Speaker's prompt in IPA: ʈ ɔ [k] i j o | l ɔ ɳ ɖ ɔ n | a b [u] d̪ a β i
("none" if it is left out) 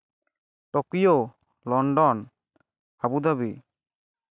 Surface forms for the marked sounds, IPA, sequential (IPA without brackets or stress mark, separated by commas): k, u